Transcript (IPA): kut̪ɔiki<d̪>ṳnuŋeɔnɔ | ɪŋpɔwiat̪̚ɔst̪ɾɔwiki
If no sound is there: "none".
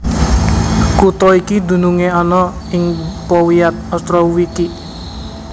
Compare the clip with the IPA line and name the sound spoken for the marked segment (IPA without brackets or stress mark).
d̪